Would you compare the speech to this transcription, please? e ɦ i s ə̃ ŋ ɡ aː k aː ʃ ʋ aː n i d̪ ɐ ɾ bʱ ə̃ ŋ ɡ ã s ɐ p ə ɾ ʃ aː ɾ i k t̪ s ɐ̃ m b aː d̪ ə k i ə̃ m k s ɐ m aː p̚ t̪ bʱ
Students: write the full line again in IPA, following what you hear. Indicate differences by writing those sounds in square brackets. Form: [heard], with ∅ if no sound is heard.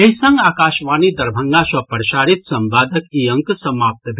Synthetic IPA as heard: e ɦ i s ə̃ ŋ ɡ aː k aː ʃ ʋ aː n i d̪ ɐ ɾ bʱ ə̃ ŋ ɡ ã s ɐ p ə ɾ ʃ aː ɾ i [∅] t̪ s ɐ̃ m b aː d̪ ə k i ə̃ [ŋ] k s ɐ m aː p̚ t̪ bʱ